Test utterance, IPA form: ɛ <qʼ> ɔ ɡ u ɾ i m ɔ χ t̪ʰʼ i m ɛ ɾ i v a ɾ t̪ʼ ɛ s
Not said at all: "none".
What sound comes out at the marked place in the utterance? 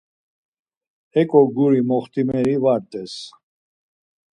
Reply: kʼ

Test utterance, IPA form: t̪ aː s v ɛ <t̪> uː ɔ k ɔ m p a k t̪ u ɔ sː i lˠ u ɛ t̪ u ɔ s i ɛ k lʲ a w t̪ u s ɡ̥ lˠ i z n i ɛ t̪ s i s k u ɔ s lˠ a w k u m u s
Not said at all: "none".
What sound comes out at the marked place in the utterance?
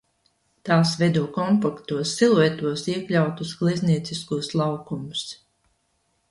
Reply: d̪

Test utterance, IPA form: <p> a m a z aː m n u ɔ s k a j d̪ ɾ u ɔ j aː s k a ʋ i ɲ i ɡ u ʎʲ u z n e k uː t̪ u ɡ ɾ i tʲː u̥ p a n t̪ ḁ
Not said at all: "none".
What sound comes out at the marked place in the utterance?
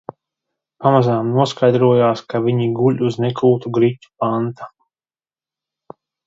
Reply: p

